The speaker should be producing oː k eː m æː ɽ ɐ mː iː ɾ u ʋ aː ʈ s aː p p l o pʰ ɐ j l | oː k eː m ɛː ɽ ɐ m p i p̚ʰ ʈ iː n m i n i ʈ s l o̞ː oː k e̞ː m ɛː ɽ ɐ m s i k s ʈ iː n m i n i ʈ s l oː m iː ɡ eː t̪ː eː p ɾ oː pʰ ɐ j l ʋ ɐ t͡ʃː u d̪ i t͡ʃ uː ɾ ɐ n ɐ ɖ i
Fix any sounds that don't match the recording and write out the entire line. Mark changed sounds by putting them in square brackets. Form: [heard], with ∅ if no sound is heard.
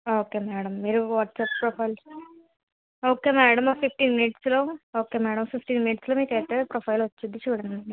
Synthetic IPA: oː k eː m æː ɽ ɐ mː iː ɾ u ʋ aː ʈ s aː p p [ɾ] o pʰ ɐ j l | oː k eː m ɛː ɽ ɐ m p i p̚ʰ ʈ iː n m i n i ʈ s l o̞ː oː k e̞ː m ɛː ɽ ɐ m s i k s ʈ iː n m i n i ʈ s l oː m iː [k] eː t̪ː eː p ɾ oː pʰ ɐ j l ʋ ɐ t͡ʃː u d̪ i t͡ʃ uː [ɽ] ɐ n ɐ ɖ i